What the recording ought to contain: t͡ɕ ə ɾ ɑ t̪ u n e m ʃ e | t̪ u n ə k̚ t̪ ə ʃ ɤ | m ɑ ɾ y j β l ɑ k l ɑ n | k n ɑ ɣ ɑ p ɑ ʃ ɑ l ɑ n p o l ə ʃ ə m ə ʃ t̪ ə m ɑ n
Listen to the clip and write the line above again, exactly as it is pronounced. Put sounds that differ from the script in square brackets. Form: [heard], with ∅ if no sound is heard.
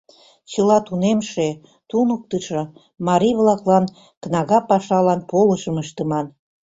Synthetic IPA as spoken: t͡ɕ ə [l] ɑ t̪ u n e m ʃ e | t̪ u n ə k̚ t̪ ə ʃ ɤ | m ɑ ɾ [i] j β l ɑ k l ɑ n | k n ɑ ɣ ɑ p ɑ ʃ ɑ l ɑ n p o l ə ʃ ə m ə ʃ t̪ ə m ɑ n